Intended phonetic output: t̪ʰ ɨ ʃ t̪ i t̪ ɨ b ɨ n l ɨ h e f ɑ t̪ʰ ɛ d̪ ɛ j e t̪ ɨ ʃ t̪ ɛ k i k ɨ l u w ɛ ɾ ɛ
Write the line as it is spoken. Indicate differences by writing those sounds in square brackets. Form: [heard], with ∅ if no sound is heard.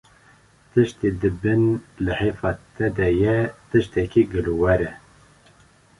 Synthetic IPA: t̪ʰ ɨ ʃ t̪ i [d̪] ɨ b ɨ n l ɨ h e f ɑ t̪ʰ ɛ d̪ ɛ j [ɛ] t̪ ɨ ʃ t̪ ɛ k i [ɡ] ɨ l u w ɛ ɾ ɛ